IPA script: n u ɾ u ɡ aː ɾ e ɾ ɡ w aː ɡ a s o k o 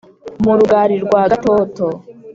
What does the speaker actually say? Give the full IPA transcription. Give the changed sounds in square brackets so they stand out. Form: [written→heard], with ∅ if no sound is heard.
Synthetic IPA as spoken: [n→m] u ɾ u ɡ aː ɾ [e→i] ɾ ɡ w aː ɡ a [s→t] o [k→t] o